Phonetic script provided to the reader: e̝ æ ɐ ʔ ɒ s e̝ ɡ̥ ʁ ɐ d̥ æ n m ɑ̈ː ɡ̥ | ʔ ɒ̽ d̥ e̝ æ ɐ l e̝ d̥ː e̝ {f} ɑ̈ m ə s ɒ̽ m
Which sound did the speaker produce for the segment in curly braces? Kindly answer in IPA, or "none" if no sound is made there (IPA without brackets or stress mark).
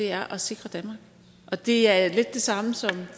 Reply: s